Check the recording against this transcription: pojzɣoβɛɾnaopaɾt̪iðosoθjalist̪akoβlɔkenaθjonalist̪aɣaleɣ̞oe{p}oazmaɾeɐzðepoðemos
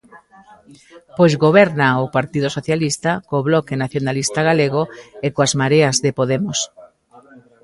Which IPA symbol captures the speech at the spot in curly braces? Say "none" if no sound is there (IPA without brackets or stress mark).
k